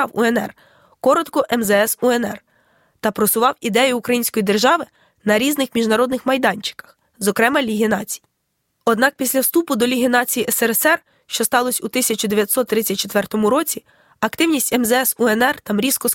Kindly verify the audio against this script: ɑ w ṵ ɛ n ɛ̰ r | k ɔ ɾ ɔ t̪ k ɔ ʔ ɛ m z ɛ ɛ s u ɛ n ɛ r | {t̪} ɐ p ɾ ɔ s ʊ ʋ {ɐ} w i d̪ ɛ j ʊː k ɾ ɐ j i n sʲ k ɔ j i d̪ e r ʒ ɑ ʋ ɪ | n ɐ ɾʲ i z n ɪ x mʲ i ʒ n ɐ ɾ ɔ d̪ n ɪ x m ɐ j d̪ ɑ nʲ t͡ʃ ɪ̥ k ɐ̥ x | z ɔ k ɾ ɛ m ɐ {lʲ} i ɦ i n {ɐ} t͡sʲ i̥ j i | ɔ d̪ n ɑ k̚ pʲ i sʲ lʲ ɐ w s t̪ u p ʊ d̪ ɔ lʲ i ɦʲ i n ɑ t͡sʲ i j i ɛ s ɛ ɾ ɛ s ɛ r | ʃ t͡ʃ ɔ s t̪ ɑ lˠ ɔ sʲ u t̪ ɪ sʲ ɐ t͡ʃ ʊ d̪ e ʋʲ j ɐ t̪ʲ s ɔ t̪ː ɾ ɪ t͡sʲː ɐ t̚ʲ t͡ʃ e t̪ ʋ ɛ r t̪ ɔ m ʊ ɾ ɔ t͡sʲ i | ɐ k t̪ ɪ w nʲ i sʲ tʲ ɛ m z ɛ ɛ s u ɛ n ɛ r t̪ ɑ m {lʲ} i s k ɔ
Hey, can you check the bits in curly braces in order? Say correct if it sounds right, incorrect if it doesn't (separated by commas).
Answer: correct, incorrect, correct, incorrect, incorrect